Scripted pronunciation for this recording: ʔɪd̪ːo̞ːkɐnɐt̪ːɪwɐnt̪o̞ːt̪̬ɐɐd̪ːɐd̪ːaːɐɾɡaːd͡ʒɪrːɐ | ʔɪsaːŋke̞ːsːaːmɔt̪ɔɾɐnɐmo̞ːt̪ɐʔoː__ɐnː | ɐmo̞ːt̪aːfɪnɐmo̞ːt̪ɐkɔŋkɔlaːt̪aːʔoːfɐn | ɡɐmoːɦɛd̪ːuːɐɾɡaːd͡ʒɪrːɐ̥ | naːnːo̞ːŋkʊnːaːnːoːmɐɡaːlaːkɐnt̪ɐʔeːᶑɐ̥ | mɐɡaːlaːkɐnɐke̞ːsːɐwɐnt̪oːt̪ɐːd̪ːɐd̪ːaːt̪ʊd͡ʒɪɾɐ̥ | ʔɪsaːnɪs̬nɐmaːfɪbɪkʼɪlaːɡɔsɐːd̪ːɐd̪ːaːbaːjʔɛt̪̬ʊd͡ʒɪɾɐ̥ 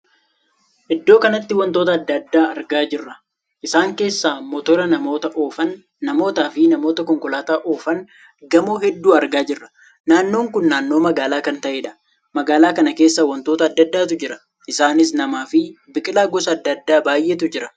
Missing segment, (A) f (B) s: A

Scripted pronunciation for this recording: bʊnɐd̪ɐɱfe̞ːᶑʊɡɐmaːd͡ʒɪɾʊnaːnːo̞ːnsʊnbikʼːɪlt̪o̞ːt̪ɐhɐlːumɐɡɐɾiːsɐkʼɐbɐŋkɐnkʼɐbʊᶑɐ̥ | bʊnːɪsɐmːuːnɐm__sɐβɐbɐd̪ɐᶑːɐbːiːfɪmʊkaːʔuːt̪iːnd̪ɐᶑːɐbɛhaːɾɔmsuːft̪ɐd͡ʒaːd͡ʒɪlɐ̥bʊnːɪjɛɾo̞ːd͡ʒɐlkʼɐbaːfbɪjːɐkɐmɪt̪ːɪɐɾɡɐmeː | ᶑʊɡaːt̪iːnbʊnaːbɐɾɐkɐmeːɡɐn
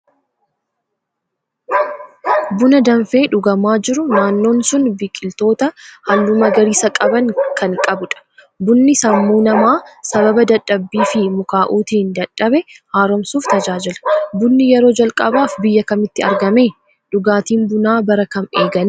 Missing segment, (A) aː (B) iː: A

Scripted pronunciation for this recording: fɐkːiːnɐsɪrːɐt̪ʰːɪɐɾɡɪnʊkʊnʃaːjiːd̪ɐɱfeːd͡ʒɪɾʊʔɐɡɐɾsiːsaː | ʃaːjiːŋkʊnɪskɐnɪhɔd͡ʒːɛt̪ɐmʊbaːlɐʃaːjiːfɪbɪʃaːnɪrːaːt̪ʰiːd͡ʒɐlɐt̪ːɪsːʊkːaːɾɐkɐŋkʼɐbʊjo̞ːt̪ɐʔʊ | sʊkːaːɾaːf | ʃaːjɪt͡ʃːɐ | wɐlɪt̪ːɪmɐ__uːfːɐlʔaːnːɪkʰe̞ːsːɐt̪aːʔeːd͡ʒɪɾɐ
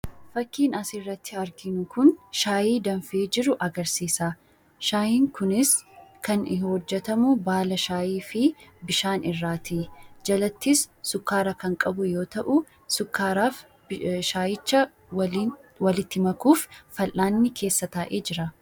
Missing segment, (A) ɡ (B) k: B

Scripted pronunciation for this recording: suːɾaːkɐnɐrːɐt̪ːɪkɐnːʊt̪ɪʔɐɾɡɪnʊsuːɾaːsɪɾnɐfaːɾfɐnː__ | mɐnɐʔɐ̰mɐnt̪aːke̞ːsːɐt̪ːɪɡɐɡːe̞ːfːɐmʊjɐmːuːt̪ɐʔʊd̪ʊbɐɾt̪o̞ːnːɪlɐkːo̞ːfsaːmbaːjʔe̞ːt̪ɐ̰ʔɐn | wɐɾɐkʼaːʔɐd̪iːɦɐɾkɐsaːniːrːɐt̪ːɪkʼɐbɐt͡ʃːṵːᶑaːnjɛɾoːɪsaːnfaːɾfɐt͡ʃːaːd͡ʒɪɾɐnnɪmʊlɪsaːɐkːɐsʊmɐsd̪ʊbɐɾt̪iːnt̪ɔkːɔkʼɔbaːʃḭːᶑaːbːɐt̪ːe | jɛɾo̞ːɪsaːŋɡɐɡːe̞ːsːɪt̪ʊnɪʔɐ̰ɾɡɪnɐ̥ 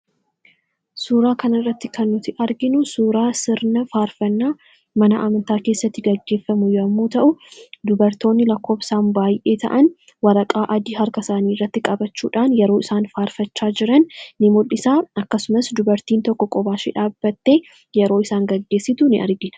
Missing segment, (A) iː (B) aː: B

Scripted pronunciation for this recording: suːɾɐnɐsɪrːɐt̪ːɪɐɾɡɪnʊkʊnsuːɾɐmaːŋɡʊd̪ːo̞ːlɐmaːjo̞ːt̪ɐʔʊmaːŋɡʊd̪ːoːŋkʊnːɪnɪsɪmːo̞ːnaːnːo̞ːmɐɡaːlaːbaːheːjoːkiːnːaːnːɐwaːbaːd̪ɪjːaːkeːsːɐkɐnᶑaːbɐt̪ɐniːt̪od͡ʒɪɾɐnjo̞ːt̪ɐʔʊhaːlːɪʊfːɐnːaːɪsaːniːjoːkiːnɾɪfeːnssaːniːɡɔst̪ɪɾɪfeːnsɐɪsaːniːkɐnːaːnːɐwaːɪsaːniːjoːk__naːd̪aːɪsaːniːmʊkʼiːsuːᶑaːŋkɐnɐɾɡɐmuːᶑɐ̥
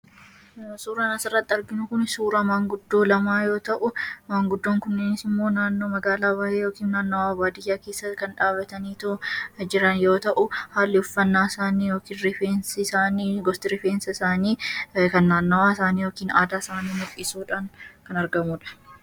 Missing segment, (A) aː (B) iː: B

